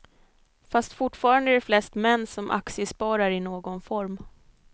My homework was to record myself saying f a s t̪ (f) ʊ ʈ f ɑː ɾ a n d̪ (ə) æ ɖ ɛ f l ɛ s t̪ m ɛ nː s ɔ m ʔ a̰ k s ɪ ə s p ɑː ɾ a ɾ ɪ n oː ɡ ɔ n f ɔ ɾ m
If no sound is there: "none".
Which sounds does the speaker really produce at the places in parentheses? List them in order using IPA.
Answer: f, ə

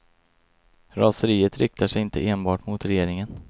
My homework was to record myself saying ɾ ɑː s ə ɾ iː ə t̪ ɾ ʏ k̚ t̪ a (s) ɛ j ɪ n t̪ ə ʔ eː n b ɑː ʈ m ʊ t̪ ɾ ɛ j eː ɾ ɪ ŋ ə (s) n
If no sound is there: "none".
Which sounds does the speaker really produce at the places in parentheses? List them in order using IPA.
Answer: ʂ, none

